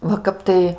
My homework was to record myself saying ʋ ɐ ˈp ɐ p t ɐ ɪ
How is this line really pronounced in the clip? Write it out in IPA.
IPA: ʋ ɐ ˈk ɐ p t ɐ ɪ